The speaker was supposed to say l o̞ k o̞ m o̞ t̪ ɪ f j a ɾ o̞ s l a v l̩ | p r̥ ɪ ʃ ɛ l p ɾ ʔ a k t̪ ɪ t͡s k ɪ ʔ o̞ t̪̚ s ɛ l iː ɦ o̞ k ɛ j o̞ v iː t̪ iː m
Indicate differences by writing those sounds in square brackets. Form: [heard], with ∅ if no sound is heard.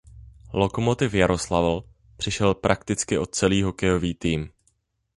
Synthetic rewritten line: l o̞ k o̞ m o̞ t̪ ɪ f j a ɾ o̞ s l a v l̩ | p r̥ ɪ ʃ ɛ l p ɾ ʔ a k t̪ ɪ t͡s k ɪ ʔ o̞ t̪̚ [t͡s] ɛ l iː ɦ o̞ k ɛ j o̞ v iː t̪ iː m